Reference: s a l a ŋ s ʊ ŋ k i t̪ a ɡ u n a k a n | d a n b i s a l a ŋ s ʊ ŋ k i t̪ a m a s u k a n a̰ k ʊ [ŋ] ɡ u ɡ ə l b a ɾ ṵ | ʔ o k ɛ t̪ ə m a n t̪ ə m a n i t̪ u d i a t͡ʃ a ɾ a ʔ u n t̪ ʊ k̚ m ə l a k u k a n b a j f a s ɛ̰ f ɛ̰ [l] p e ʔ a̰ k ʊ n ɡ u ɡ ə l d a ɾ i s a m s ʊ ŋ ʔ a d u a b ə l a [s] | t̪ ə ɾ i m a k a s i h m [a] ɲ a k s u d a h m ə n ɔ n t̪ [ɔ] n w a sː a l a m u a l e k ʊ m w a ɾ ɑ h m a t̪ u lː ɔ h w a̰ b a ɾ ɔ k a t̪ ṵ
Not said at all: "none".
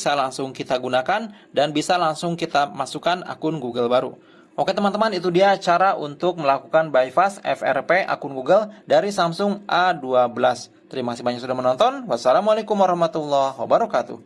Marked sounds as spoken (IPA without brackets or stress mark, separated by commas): n, r, s, a, ɔ